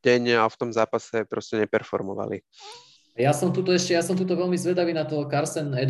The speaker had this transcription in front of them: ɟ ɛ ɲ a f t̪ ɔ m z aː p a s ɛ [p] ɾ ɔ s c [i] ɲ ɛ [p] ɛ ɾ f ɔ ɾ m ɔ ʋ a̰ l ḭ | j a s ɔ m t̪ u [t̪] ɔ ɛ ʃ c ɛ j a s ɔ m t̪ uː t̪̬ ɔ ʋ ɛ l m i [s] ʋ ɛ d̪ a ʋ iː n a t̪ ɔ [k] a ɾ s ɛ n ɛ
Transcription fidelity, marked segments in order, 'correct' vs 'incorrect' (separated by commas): correct, incorrect, correct, correct, incorrect, correct